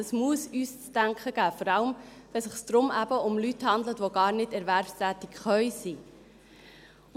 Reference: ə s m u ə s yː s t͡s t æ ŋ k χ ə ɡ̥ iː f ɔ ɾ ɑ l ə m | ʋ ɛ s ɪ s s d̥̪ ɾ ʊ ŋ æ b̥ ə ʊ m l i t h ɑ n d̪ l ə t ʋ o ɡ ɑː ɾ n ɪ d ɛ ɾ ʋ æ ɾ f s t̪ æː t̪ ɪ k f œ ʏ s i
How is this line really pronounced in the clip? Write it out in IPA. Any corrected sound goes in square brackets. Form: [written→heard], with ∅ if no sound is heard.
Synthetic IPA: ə s m u ə s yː s t͡s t æ ŋ k χ ə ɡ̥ [iː→æː] f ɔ ɾ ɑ l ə m | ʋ ɛ s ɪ [s→χ] s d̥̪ ɾ ʊ [ŋ→m] æ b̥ ə ʊ m l [i→y] t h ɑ n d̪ l ə t ʋ o ɡ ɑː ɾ n ɪ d ɛ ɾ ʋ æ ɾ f s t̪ æː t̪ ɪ k [f→χ] œ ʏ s i